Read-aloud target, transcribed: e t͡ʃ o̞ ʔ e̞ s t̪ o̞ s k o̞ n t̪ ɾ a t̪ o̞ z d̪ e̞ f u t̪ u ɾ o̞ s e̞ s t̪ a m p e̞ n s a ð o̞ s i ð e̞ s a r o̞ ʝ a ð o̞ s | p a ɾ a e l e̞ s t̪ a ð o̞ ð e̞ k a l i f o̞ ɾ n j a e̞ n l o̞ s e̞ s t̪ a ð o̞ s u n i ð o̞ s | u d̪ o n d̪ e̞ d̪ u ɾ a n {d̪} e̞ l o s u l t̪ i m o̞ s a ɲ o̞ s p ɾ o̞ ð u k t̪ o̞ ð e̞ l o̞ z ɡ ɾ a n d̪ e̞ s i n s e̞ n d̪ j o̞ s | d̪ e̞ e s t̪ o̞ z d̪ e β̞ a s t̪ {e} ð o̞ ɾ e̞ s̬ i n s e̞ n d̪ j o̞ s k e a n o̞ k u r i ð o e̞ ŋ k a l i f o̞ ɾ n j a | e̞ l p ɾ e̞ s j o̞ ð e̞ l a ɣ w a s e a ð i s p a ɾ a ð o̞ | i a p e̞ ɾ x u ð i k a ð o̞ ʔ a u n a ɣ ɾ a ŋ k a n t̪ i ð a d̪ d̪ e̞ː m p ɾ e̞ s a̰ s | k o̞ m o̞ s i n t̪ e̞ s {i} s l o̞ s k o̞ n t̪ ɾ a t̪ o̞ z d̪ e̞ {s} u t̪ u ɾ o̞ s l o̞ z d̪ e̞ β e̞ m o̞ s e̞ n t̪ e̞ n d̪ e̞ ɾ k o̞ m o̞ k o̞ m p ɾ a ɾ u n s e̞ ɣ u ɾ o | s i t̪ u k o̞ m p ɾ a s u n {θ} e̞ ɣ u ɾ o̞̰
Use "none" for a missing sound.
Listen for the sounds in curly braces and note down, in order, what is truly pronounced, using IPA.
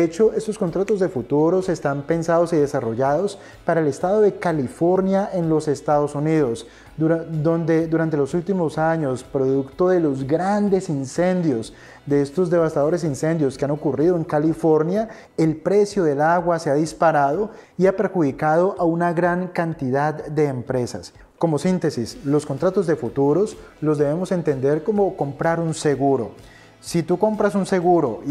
t̪, a, i, f, s

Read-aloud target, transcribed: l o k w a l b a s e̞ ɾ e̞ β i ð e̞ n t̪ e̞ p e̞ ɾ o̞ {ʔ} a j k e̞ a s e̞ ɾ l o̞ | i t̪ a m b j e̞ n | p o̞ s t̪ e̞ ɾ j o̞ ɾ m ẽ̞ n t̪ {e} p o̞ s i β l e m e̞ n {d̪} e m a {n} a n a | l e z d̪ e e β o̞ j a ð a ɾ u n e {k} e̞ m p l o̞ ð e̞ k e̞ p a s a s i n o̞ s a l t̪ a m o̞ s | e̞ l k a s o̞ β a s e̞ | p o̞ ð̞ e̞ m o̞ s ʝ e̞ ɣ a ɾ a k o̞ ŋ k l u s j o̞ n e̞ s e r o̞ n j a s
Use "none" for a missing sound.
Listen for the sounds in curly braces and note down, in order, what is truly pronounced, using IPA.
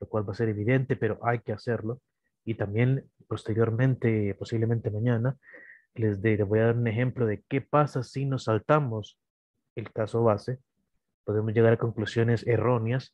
ʔ, e, t̪, ɲ, x

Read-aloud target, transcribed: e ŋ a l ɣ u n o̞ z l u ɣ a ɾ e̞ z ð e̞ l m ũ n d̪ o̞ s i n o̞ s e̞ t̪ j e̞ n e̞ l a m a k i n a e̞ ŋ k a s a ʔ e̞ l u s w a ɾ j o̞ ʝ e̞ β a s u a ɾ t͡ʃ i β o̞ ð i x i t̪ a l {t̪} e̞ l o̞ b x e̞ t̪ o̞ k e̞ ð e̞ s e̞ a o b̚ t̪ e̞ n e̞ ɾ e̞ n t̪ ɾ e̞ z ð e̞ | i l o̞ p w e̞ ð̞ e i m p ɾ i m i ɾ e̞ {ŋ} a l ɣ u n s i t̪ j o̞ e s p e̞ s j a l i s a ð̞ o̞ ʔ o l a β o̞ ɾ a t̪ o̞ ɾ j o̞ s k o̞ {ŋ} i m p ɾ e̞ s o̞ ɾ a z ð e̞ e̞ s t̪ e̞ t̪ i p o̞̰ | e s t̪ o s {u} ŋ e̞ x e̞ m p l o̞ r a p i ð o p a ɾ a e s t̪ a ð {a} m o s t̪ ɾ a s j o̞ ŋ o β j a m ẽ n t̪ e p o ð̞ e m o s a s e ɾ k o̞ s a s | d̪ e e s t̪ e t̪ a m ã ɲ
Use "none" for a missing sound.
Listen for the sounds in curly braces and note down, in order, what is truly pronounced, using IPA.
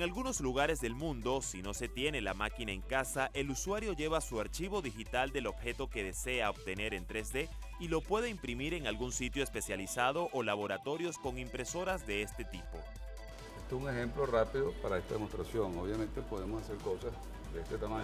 d̪, ŋ, ŋ, u, e

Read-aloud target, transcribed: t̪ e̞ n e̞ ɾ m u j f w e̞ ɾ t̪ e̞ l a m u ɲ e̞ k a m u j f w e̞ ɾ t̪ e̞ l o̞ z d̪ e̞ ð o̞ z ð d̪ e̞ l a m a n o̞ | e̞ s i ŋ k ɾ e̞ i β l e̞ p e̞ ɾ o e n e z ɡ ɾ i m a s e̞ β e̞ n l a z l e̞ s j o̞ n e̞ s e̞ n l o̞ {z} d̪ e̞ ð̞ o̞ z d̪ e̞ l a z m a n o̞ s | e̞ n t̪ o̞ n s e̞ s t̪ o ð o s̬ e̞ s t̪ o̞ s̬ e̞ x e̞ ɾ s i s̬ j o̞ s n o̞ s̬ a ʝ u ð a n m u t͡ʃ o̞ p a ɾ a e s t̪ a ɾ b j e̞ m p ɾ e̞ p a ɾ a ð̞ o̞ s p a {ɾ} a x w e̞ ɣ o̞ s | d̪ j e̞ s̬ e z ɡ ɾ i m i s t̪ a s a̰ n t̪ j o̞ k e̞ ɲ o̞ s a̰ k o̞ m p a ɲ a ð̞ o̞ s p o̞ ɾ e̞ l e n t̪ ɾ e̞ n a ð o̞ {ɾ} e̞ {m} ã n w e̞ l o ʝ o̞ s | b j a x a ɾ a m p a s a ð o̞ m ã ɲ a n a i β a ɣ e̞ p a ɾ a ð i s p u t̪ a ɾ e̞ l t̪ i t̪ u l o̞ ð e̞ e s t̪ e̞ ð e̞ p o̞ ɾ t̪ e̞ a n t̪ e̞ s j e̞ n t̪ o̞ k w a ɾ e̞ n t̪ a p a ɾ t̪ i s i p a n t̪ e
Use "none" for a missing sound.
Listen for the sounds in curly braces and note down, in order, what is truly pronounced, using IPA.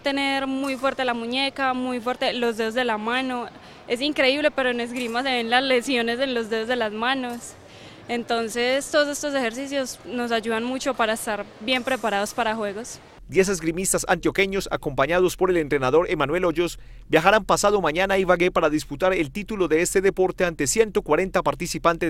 z, ɾ, ɾ, m

